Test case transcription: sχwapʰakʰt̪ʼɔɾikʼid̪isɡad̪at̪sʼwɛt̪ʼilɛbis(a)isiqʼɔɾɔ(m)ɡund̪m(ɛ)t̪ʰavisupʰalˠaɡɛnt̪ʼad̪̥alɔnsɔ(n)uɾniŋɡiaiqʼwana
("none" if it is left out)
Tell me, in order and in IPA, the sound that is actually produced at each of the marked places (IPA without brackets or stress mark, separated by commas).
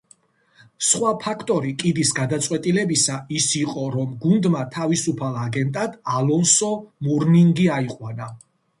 a, m, a, m